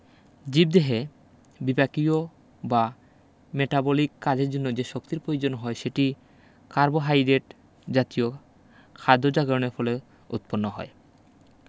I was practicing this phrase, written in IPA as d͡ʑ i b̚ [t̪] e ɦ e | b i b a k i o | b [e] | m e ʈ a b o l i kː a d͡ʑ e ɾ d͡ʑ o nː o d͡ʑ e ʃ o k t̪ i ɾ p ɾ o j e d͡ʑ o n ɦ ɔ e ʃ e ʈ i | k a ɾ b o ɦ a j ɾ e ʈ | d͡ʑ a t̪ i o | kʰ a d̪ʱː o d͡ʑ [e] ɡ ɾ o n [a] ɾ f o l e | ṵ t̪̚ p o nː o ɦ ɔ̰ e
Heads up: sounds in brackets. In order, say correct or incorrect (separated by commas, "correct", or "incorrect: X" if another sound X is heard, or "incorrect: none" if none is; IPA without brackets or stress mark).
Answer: incorrect: d̪, incorrect: a, incorrect: a, incorrect: e